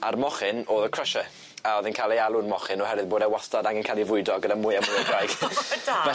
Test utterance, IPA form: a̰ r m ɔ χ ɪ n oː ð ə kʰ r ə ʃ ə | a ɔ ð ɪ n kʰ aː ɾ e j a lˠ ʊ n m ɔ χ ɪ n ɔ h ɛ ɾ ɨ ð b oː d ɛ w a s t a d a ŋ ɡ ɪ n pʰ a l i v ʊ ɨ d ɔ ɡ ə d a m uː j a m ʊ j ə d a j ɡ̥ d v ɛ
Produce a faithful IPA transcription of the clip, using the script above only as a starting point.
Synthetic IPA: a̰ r m ɔ χ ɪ n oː ð ə kʰ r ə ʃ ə | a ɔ ð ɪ n kʰ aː l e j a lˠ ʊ n m ɔ χ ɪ n ɔ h ɛ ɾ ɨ ð b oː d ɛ w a s t a d a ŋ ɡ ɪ n kʰ a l i v ʊ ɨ d ɔ ɡ ə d a m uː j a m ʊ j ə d a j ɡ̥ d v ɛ